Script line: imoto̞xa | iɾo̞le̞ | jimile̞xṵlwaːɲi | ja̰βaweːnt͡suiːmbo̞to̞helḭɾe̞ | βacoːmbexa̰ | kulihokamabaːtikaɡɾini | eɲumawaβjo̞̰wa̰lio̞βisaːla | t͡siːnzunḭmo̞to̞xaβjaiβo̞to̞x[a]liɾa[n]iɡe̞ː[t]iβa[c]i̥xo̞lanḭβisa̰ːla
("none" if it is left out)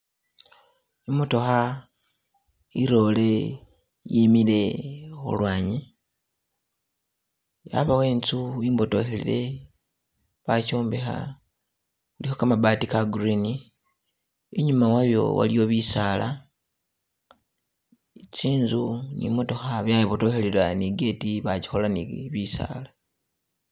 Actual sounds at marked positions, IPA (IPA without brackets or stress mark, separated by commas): e, n, t, c